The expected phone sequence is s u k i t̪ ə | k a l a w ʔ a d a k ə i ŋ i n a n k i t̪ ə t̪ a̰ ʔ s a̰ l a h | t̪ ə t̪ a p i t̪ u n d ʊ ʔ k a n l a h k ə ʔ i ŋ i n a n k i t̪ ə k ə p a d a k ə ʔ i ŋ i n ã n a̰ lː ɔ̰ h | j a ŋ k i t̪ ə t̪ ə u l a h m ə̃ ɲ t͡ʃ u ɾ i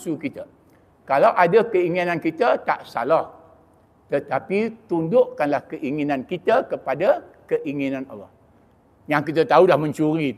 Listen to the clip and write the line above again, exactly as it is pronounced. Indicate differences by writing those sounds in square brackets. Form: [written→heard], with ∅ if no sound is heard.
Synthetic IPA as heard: s u k i t̪ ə | k a l a w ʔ a d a k ə i ŋ i n a n k i t̪ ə t̪ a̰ ʔ s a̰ l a h | t̪ ə t̪ a p i t̪ u n d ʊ ʔ k a n l a h k ə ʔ i ŋ i n a n k i t̪ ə k ə p a d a k ə ʔ i ŋ i n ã n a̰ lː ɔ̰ h | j a ŋ k i t̪ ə t̪ [ə→a] u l a h m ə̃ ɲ t͡ʃ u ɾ i